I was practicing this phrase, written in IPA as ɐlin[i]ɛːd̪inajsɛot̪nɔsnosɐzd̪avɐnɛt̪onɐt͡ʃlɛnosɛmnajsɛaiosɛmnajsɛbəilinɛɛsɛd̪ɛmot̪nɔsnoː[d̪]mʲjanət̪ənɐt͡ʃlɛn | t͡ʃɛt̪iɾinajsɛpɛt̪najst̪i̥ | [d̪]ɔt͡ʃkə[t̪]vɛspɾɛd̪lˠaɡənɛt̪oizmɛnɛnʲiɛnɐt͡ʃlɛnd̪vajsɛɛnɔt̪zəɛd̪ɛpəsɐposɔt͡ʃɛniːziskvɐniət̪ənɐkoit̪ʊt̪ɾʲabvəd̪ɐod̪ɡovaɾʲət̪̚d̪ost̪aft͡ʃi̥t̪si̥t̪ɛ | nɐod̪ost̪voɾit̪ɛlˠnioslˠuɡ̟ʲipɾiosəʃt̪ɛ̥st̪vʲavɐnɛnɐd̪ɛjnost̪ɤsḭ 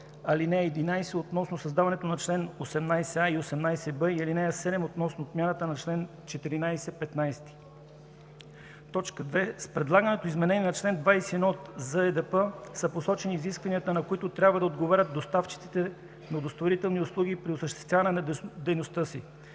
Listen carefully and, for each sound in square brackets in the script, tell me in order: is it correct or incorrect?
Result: incorrect: ɛ, incorrect: t̪, incorrect: t̪, incorrect: d̪

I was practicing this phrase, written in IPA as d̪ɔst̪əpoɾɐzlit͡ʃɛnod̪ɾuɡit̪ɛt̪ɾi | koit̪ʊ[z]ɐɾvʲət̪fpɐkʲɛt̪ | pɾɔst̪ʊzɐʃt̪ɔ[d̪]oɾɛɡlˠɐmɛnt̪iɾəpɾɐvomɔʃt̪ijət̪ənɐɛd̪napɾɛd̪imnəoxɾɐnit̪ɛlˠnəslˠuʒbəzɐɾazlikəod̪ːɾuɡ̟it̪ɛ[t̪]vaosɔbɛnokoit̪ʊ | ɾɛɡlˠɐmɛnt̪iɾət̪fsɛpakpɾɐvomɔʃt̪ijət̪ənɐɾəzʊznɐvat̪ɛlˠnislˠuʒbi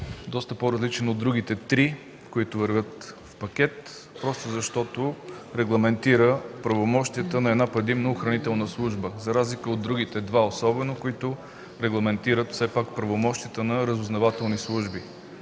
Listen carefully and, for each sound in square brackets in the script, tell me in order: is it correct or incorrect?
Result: incorrect: v, incorrect: t̪, incorrect: d̪

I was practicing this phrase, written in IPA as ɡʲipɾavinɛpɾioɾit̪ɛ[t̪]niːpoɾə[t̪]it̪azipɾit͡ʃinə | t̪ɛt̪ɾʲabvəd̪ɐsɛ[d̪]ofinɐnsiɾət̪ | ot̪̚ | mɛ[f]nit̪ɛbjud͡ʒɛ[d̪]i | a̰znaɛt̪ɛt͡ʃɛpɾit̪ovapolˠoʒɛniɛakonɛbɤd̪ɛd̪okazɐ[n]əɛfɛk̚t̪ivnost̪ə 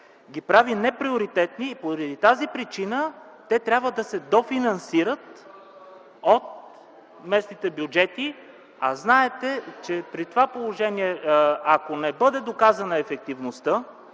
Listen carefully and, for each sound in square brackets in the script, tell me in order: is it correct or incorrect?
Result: correct, incorrect: d̪, correct, incorrect: s, incorrect: t̪, correct

